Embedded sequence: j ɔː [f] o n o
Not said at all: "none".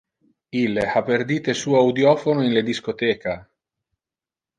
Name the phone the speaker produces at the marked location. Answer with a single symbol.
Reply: f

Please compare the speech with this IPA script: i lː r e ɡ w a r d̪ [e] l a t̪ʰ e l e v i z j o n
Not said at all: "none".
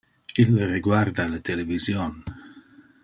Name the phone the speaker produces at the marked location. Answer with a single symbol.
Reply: a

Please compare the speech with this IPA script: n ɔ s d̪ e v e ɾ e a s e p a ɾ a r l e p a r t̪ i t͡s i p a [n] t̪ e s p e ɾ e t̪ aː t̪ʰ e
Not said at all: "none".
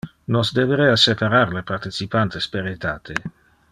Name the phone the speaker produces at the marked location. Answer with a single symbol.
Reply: n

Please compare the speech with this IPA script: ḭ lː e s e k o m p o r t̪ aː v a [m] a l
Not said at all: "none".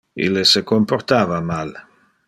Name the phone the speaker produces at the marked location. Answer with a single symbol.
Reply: m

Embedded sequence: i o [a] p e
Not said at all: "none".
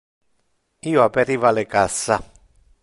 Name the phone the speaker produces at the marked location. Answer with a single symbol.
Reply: a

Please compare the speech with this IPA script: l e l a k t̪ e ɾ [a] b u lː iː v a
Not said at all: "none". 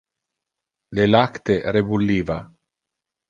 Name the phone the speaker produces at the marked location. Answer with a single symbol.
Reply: e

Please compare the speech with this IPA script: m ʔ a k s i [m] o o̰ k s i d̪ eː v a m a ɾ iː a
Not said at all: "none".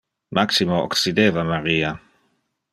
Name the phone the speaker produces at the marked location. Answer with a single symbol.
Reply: m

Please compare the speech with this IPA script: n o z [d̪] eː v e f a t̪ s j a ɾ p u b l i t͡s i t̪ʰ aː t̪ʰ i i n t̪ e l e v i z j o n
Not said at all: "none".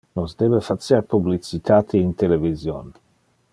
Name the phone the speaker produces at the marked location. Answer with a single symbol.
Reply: d̪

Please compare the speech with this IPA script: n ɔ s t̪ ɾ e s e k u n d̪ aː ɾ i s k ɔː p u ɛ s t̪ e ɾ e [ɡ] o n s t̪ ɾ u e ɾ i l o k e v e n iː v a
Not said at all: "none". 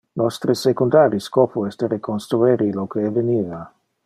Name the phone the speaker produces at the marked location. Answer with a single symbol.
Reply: k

